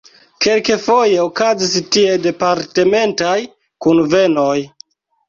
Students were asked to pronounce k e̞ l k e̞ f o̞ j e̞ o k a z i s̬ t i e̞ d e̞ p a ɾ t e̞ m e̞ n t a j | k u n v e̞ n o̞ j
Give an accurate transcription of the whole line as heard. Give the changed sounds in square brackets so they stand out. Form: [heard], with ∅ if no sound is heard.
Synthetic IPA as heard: k e̞ l k e̞ f o̞ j e̞ o k a z i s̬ t i e̞ d e̞ p a ɾ t e̞ m e̞ n t a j | k u n v e̞ n o̞ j